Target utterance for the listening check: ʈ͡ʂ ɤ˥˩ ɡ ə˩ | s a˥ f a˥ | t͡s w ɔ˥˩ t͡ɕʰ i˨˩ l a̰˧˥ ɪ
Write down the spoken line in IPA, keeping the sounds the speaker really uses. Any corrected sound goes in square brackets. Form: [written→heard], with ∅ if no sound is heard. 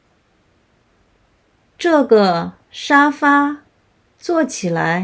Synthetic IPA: ʈ͡ʂ ɤ˥˩ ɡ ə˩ | [s→ʂ] a˥ f a˥ | t͡s w ɔ˥˩ t͡ɕʰ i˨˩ l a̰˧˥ ɪ